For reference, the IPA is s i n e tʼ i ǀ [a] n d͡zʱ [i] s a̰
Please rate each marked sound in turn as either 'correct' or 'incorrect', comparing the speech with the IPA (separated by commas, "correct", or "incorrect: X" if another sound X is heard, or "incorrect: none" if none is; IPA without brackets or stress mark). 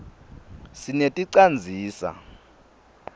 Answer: correct, incorrect: iː